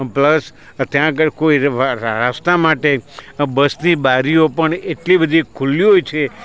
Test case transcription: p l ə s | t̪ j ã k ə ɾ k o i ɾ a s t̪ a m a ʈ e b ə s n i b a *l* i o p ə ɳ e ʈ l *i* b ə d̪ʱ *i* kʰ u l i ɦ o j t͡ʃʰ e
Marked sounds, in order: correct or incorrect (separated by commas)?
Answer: incorrect, correct, correct